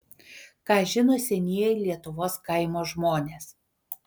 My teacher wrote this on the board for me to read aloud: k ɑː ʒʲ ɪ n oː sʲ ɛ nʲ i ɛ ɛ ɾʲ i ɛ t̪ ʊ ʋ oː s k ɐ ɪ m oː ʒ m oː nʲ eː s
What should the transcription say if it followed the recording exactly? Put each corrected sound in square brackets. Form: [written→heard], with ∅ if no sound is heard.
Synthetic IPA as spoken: k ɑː ʒʲ ɪ n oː sʲ ɛ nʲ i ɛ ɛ [ɾʲ→lʲ] i ɛ t̪ ʊ ʋ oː s k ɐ ɪ m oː ʒ m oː nʲ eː s